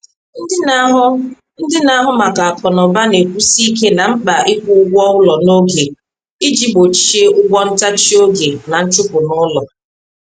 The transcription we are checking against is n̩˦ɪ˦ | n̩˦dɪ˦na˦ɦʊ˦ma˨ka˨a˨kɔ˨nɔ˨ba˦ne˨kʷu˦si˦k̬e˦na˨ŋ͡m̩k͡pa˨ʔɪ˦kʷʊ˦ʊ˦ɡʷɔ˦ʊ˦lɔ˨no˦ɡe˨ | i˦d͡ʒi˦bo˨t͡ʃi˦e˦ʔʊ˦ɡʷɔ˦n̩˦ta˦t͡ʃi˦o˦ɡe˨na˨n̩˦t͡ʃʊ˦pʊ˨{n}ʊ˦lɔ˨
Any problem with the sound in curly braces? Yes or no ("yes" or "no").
no